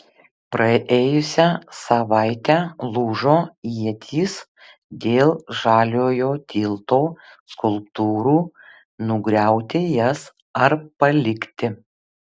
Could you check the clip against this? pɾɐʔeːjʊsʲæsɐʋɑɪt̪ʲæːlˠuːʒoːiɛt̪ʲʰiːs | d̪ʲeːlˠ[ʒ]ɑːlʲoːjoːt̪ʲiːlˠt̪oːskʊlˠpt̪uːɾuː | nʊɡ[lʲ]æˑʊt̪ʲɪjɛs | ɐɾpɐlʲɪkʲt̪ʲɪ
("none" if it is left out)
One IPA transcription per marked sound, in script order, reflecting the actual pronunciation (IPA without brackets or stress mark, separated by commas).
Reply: ʒ, ɾʲ